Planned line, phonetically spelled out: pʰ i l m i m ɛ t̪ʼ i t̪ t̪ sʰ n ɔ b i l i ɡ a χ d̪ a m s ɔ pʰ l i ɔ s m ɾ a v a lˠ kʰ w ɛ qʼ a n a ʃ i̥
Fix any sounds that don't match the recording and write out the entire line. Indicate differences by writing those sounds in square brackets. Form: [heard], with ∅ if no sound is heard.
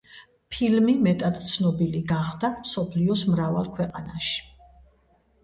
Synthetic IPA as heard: pʰ i l m i m ɛ t̪ʼ [a] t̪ t̪ sʰ n ɔ b i l i ɡ a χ d̪ a m s ɔ pʰ l i ɔ s m ɾ a v a lˠ kʰ w ɛ qʼ a n a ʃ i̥